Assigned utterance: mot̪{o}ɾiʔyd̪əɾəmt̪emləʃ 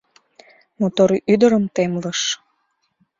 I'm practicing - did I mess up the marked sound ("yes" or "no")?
no